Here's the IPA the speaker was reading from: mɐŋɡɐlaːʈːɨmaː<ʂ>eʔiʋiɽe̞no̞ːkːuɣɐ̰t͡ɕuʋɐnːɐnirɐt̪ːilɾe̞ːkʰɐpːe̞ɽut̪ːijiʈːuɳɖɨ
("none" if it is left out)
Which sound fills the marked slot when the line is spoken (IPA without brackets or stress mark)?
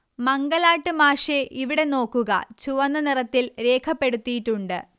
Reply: ʂ